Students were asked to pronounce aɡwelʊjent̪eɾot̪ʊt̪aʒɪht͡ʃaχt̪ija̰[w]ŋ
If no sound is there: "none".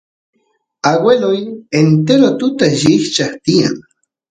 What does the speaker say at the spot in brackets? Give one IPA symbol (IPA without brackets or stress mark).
none